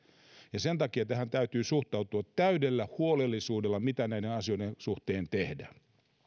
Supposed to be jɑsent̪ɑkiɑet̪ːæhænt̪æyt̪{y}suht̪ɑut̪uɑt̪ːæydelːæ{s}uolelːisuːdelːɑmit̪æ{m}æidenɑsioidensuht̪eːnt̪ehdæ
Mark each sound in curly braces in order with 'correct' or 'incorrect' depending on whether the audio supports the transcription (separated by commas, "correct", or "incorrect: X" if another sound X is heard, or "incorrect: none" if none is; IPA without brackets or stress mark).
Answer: incorrect: yː, incorrect: h, incorrect: n